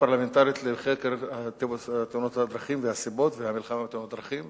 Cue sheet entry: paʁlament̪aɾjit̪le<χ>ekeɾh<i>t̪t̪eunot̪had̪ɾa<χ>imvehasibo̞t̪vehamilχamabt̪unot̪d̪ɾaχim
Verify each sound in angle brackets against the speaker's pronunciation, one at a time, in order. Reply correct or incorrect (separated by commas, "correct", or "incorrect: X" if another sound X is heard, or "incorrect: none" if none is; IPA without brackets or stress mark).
correct, incorrect: a, correct